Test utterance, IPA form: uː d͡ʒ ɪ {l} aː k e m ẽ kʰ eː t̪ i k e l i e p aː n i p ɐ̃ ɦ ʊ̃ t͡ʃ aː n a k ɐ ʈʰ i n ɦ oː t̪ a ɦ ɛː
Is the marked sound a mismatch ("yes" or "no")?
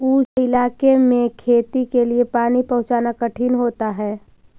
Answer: no